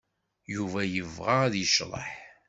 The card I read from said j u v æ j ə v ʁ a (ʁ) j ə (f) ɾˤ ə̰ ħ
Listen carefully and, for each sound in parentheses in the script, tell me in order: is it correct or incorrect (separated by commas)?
incorrect, incorrect